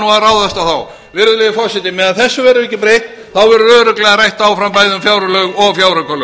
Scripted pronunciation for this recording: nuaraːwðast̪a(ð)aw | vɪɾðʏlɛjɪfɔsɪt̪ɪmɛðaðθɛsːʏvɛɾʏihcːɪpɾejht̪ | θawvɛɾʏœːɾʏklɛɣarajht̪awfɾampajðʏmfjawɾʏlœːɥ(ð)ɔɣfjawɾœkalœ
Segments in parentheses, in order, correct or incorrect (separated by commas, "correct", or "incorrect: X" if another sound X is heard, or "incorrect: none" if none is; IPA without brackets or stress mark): incorrect: θ, incorrect: ɣ